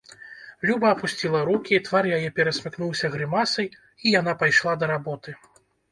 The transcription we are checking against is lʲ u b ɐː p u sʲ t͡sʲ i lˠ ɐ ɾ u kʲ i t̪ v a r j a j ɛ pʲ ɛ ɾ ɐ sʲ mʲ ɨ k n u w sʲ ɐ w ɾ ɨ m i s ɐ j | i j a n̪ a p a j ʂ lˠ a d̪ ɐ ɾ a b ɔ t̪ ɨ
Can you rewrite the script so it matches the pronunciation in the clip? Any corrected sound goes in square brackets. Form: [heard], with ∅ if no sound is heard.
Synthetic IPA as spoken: lʲ u b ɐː p u sʲ t͡sʲ i lˠ ɐ ɾ u kʲ i t̪ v a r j a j ɛ pʲ ɛ ɾ ɐ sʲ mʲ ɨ k n u w sʲ ɐ [ɣ] ɾ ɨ m [a] s ɐ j | i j a n̪ a p a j ʂ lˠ a d̪ ɐ ɾ a b ɔ t̪ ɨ